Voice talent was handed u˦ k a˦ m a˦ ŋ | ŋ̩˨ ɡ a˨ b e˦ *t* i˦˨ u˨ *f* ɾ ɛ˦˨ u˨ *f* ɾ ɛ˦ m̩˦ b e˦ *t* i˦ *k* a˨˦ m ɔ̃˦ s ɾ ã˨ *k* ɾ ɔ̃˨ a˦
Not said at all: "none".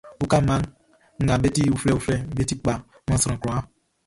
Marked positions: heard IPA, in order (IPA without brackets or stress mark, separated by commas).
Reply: t, f, f, t, k͡p, k